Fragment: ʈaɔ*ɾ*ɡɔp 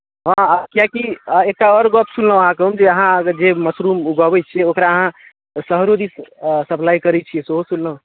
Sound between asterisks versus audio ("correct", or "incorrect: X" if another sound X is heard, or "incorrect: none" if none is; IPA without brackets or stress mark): correct